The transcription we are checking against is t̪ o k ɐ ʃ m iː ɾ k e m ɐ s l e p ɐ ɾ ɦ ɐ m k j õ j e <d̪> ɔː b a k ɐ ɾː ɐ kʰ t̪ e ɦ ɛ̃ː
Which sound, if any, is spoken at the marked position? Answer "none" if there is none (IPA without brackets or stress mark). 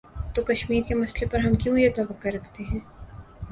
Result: t̪